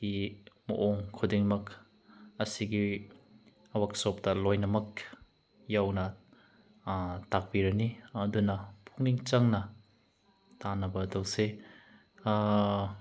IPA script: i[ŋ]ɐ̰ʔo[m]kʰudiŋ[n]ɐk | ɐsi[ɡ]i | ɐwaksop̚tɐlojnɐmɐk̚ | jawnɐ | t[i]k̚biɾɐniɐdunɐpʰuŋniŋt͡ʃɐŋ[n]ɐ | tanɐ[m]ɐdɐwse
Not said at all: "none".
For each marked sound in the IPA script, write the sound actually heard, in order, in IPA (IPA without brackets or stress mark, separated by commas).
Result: m, ŋ, m, ɡ, a, n, b